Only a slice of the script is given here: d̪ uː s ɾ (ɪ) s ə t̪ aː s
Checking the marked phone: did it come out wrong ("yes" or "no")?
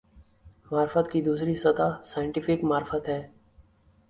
yes